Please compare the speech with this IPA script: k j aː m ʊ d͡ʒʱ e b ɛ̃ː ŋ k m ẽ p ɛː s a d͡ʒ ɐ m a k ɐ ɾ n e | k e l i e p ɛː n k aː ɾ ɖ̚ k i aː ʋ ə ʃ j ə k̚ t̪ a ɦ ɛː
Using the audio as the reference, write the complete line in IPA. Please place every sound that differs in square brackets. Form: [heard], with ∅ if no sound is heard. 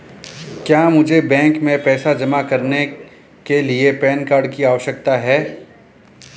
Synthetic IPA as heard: k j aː m ʊ d͡ʒʱ e b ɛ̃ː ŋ k m ẽ p ɛː s a d͡ʒ ɐ m a k ɐ ɾ n e | k e l i e p ɛː n k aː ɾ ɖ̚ k i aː ʋ ə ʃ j ə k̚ t̪ a ɦ ɛː